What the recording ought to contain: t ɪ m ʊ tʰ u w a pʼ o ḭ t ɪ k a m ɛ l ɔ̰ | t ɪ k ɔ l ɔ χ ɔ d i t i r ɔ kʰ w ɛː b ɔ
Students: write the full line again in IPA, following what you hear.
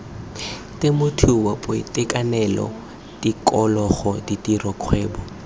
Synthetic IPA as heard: t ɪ m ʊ tʰ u w a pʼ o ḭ t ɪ k a n ɛ l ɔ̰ | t i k ɔ l ɔ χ ɔ d i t i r ɔ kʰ w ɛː b ɔ

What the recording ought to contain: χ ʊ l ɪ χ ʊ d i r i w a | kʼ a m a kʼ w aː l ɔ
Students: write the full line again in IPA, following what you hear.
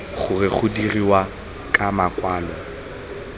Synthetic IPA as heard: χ ʊ r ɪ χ ʊ d i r i w a | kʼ a m a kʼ w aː l ɔ

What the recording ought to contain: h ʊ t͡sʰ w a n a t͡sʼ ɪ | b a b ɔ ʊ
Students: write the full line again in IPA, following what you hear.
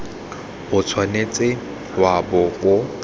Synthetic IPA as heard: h ʊ t͡sʰ w a n e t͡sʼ ɪ | w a b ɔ ʊ

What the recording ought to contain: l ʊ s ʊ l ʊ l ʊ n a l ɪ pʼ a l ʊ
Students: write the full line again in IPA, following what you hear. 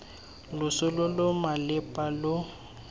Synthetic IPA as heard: l ʊ s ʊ l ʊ l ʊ m a l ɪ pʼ a l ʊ

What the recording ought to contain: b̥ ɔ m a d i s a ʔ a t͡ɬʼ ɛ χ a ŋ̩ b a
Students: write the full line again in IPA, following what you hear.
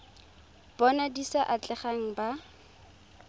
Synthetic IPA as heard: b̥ ɔ n a d i s a ʔ a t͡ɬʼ ɛ χ a ŋ̩ b a

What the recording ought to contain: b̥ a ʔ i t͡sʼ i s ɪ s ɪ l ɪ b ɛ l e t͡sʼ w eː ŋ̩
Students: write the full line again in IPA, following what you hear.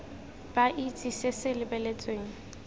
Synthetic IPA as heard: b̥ a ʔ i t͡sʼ i s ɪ s ɪ l ɪ b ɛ l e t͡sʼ w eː ŋ̩

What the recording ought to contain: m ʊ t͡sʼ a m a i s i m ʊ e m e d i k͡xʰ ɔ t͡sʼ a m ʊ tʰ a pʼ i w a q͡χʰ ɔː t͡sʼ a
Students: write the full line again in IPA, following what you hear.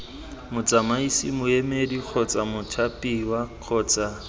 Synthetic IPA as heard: m ʊ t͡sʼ a m a i s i m ʊ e m e d i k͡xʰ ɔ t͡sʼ a m ʊ tʰ a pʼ i w a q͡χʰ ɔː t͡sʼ a

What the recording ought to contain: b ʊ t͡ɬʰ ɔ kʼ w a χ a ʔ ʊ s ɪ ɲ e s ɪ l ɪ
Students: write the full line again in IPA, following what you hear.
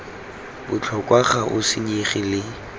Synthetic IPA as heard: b ʊ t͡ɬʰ ɔ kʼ w a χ a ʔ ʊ s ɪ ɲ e χ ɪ l ɪ

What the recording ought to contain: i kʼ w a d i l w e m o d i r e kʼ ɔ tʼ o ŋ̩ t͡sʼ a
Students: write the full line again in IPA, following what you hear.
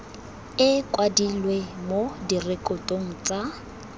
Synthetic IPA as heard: ɪ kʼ w a d i l w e m o d i r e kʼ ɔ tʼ o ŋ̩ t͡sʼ a

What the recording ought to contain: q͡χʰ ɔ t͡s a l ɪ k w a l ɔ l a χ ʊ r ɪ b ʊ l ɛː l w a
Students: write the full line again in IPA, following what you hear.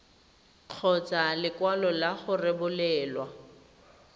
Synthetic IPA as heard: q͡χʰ ɔ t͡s a l ɪ k w a l ɔ l a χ ʊ r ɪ b ʊ l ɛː l w a

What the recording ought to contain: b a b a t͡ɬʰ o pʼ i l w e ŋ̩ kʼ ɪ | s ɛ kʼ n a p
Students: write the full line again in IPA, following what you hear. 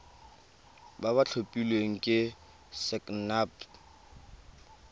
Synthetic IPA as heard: b a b a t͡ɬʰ o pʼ i l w e ŋ̩ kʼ ɪ | s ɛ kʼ n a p

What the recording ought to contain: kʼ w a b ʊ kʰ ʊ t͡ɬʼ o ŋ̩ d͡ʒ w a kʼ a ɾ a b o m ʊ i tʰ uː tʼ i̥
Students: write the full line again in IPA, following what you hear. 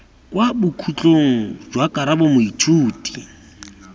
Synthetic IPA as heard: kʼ w a b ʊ kʰ u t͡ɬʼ o ŋ̩ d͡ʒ w a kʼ a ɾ a b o m ʊ i tʰ uː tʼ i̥

